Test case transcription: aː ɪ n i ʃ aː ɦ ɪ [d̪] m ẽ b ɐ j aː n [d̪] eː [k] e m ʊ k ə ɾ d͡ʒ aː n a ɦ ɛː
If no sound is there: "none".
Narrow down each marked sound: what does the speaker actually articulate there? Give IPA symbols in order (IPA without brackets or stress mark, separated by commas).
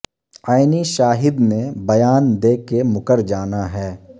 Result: d̪, d̪, k